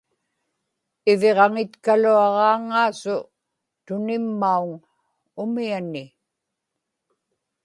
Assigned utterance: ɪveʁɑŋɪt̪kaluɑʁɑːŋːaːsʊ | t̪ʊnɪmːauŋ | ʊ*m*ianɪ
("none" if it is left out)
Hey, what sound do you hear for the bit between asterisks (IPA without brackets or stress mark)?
m